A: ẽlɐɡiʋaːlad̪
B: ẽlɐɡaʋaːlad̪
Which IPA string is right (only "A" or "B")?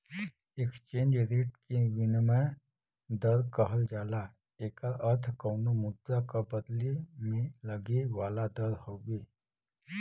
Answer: A